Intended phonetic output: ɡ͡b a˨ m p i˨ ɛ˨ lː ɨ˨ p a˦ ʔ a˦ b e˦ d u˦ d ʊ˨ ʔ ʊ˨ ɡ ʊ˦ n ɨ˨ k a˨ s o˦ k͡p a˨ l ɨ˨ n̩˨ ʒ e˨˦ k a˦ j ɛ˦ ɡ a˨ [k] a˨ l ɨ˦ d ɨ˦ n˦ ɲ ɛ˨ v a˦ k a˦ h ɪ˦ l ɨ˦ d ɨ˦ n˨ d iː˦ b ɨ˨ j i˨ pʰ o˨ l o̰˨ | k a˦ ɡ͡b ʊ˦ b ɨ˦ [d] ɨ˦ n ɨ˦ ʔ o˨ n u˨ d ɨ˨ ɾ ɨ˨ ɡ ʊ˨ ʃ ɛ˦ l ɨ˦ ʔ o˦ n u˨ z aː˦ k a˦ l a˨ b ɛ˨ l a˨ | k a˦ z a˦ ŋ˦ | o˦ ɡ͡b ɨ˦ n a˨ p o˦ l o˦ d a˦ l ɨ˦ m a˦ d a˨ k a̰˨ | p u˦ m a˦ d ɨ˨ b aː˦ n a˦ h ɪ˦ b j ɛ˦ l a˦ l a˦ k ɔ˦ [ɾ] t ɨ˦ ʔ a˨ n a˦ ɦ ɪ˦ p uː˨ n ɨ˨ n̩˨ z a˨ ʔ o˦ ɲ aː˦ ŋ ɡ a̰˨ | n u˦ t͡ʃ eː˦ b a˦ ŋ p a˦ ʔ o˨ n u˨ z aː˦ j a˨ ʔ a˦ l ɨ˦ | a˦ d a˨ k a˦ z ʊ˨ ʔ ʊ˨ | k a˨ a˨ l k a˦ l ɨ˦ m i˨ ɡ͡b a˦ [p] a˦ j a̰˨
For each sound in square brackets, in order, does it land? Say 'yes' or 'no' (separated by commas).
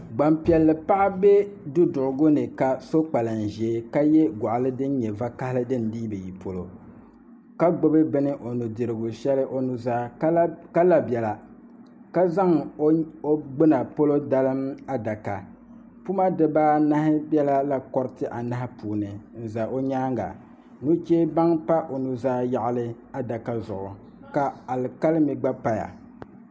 no, no, yes, yes